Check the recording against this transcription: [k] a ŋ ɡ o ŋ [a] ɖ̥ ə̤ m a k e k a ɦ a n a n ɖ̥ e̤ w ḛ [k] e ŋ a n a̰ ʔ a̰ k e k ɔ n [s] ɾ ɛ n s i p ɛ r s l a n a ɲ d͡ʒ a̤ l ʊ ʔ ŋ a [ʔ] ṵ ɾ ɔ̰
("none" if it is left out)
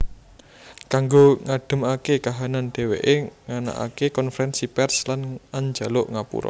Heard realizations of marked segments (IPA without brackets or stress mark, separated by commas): k, a, ʔ, f, p